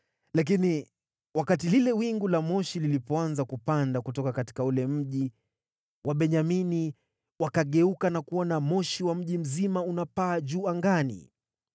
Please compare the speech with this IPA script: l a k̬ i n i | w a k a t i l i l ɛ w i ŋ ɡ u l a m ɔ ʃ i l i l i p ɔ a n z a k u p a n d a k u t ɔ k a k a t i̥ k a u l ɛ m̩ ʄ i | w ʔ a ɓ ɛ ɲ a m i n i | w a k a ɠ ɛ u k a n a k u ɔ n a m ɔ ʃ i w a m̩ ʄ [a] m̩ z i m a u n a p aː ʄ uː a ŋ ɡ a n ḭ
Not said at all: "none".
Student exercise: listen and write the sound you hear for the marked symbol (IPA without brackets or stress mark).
i